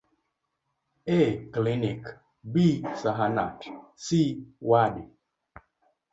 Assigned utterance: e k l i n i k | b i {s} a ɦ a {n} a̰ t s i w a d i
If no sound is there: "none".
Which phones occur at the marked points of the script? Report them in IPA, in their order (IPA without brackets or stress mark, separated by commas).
s, n